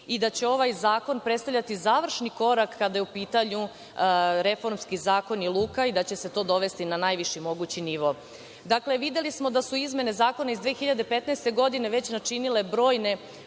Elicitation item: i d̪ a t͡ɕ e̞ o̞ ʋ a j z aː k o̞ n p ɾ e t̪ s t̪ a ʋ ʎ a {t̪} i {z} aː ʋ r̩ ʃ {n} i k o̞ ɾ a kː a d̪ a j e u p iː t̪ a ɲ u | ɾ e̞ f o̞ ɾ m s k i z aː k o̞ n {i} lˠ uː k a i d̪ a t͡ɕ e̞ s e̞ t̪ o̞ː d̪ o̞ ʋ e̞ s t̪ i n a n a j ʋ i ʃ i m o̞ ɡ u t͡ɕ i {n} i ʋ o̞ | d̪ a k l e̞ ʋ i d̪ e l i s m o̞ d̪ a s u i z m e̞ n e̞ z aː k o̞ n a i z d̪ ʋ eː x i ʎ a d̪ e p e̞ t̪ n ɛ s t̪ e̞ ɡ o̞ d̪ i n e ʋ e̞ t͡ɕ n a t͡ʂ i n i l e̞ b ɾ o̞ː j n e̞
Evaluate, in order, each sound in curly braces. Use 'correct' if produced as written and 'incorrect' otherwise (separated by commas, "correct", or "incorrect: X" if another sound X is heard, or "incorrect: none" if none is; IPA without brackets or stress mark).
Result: correct, correct, correct, correct, correct